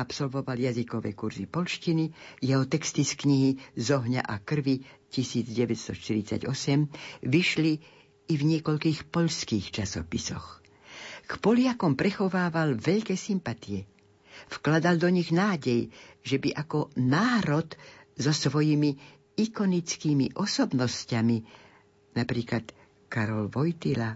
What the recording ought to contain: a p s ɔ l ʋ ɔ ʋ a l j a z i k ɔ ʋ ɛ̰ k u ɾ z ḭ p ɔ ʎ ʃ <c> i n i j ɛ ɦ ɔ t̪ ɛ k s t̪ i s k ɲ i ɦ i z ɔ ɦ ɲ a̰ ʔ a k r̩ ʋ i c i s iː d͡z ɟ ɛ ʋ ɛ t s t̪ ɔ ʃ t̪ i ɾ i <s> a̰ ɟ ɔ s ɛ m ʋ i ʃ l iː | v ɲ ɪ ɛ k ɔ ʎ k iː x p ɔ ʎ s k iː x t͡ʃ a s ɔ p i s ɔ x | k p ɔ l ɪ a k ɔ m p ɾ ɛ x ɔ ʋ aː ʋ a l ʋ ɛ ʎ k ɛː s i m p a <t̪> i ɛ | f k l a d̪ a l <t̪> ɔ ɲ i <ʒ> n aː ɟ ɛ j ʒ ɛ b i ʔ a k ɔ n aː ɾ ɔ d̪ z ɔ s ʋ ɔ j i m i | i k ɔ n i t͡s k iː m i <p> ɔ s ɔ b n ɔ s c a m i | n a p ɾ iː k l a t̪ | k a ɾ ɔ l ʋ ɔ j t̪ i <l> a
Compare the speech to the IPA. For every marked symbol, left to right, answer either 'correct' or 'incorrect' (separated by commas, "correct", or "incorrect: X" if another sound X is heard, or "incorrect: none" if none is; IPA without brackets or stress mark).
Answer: correct, incorrect: t͡s, correct, incorrect: d̪, incorrect: ɣ, incorrect: ʔ, correct